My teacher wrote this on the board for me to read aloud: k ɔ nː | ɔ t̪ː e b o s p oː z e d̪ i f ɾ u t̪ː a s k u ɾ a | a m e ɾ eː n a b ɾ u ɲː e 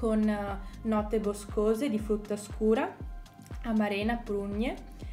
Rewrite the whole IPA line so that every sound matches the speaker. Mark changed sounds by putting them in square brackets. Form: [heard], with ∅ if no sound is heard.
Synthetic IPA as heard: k [o] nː | ɔ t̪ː e b o s [k] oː z e d̪ i f ɾ u t̪ː a s k [uː] ɾ a | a m [a] ɾ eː n a [p] ɾ u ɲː e